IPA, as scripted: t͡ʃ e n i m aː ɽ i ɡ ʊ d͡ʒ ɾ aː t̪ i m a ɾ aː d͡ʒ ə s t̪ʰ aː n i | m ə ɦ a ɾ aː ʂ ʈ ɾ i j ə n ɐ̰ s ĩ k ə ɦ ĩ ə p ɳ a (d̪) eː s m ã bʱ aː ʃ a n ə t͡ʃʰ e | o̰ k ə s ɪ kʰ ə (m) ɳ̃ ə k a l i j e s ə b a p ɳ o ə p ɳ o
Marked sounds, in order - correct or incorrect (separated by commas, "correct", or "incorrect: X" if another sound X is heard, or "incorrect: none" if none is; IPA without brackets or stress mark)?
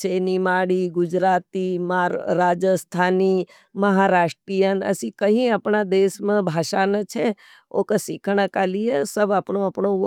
correct, incorrect: none